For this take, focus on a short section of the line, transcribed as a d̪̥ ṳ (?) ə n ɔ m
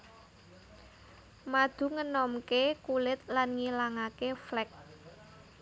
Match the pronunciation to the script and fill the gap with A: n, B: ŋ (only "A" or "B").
B